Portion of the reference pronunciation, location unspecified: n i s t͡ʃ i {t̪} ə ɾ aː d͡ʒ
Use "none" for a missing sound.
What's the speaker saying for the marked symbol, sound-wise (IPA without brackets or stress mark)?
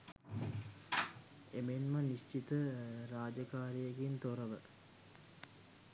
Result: t̪